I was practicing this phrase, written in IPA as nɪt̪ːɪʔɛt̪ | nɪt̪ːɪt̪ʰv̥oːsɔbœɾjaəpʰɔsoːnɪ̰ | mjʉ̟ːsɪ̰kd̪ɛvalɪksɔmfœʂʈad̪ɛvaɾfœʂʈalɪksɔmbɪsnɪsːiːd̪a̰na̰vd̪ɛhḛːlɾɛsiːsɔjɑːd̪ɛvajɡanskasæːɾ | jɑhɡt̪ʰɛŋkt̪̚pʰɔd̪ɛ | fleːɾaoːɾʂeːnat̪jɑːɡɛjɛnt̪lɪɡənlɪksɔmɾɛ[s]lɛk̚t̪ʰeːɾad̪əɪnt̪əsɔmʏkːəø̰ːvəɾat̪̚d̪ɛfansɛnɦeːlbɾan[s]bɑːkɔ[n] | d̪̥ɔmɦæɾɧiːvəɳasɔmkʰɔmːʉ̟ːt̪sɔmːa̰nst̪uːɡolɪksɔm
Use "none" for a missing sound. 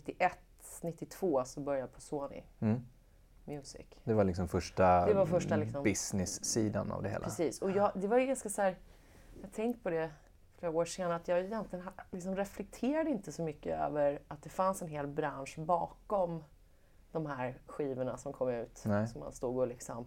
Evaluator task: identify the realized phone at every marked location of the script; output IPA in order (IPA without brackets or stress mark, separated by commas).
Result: f, ʂ, m